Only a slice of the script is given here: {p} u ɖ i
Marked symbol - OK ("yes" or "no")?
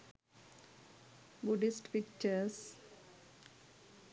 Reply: no